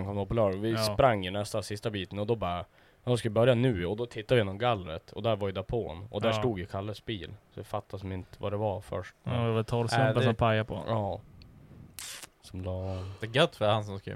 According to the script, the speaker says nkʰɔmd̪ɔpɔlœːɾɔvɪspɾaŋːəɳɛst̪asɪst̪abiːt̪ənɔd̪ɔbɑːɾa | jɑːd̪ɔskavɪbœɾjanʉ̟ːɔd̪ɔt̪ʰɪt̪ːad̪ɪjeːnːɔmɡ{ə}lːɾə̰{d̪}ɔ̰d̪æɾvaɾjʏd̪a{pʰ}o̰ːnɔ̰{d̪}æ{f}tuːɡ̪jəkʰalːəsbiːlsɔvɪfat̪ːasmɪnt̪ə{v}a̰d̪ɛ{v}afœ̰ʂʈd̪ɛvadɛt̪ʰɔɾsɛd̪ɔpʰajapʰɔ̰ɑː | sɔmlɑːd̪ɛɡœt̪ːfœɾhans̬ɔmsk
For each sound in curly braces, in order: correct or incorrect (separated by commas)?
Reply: incorrect, incorrect, correct, correct, incorrect, correct, correct